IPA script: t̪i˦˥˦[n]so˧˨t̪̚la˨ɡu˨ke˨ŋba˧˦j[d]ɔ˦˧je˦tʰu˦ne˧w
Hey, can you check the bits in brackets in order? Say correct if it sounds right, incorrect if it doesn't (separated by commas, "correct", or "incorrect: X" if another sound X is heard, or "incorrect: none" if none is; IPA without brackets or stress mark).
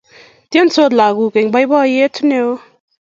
correct, incorrect: b